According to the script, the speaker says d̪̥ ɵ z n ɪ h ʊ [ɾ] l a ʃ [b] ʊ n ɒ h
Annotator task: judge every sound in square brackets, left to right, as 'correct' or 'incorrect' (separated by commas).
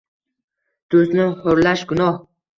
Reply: correct, incorrect